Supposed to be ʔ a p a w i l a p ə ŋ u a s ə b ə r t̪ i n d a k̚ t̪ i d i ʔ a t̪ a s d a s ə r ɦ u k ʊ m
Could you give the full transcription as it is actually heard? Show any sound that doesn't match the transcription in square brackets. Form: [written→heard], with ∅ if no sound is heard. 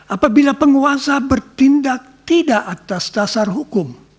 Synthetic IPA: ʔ a p a [w→b] i l a p ə ŋ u a s [ə→a] b ə r t̪ i n d a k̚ t̪ i d [i→a] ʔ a t̪ a s d a s [ə→a] r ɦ u k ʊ m